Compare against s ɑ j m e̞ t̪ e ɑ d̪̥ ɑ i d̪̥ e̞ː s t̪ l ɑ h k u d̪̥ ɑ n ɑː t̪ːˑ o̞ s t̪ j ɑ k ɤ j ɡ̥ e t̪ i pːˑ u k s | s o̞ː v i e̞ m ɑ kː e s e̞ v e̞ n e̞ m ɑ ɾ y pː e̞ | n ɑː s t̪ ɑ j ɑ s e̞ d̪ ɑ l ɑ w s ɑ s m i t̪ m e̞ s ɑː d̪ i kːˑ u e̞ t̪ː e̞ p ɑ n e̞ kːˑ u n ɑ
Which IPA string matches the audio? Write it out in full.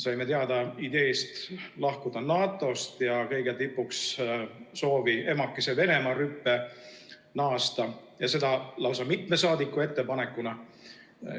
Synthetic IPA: s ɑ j m e̞ t̪ e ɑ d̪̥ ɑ i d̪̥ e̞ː s t̪ l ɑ h k u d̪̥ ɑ n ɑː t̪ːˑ o̞ s t̪ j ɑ k ɤ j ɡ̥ e t̪ i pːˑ u k s | s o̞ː v i e̞ m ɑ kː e s e̞ v e̞ n e̞ m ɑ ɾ y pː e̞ | n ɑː s t̪ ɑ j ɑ s e̞ d̪ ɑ l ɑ w s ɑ m i t̪ m e̞ s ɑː d̪ i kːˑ u e̞ t̪ː e̞ p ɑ n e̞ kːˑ u n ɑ